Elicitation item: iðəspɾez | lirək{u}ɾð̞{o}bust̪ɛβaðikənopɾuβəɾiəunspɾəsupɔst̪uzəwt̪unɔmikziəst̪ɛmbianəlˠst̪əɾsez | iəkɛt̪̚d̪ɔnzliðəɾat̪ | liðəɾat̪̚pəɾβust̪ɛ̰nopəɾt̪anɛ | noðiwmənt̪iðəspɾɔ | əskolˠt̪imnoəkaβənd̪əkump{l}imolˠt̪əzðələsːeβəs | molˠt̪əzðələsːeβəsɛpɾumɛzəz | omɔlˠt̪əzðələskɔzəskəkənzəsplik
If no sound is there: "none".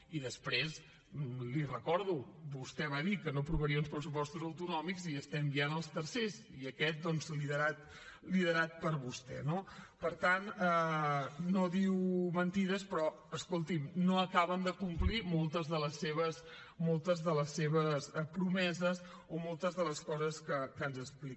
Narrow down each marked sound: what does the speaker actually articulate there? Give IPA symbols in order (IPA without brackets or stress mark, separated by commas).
ɔ, u, l